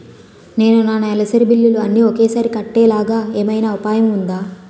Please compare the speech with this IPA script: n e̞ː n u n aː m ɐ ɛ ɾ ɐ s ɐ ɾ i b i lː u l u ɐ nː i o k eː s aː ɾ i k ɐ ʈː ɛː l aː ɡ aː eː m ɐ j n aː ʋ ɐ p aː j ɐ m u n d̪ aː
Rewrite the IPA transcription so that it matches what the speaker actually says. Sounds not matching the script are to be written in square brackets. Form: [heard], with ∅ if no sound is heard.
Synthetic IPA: n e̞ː n u n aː [n] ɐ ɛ [l] ɐ s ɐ ɾ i b i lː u l u ɐ nː i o k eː s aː ɾ i k ɐ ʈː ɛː l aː ɡ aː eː m ɐ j n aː ʋ ɐ p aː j ɐ m u n d̪ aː

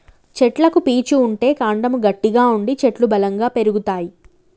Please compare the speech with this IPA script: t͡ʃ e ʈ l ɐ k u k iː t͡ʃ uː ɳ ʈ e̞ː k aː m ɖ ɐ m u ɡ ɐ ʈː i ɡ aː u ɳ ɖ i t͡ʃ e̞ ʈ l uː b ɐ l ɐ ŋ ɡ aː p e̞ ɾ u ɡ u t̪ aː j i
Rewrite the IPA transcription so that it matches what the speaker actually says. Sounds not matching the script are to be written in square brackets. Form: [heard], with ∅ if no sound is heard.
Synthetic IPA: t͡ʃ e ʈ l ɐ k u [p] iː t͡ʃ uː ɳ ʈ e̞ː k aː [ɳ] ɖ ɐ m u ɡ ɐ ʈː i ɡ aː u ɳ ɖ i t͡ʃ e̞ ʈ l [u] b ɐ l ɐ ŋ ɡ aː p e̞ ɾ u ɡ u t̪ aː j i

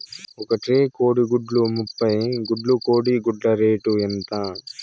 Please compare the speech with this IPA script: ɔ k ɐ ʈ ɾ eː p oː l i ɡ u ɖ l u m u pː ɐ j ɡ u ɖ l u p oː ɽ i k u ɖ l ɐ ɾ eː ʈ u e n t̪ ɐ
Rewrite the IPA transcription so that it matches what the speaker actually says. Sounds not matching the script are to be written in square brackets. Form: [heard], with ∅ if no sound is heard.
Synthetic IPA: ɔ k ɐ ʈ ɾ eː [k] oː [ɽ] i ɡ u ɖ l u m u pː ɐ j ɡ u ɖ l u [k] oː ɽ i [ɡ] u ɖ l ɐ ɾ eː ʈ u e n t̪ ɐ

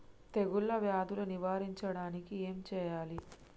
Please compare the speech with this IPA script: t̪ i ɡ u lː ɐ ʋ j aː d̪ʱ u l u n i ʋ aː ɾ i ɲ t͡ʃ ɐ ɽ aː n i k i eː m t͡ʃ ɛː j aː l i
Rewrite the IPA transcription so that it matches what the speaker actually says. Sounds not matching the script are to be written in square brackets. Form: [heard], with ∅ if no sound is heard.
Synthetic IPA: t̪ [e] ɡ u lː ɐ ʋ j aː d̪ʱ u l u n i ʋ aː ɾ i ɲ t͡ʃ ɐ ɽ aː n i k i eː m t͡ʃ ɛː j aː l i

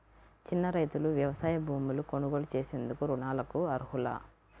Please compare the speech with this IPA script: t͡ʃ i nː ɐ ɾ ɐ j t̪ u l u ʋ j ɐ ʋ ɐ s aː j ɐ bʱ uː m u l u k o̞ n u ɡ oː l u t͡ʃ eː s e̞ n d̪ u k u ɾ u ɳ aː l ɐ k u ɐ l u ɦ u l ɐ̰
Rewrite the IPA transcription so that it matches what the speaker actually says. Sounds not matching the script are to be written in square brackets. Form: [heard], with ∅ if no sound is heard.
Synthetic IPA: t͡ʃ i nː ɐ ɾ ɐ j t̪ u l u ʋ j ɐ ʋ ɐ s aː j ɐ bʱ uː m u l u k o̞ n u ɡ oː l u t͡ʃ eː s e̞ n d̪ u k u ɾ u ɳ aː l ɐ k u ɐ [ɾ] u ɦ u l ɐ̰

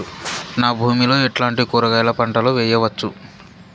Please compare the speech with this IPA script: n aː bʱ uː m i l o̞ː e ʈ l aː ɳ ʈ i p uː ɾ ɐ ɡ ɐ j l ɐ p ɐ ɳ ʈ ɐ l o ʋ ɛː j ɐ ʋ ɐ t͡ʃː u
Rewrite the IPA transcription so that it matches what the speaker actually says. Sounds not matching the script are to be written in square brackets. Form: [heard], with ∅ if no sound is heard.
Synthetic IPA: n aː bʱ uː m i l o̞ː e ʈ l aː ɳ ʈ i [k] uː ɾ ɐ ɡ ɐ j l ɐ p ɐ ɳ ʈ ɐ l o ʋ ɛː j ɐ ʋ ɐ t͡ʃː u

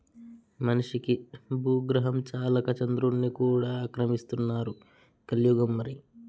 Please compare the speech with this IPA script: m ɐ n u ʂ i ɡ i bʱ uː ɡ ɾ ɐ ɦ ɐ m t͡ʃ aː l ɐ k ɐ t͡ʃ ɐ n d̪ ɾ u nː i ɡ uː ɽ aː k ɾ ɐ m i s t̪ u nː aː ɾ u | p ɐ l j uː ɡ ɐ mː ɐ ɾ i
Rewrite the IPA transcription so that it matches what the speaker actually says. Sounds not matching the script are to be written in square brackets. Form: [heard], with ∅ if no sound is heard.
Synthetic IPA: m ɐ n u ʂ i [k] i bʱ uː ɡ ɾ ɐ ɦ ɐ m t͡ʃ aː l ɐ k ɐ t͡ʃ ɐ n d̪ ɾ u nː i [k] uː ɽ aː k ɾ ɐ m i s t̪ u nː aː ɾ u | [k] ɐ l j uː ɡ ɐ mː ɐ ɾ i

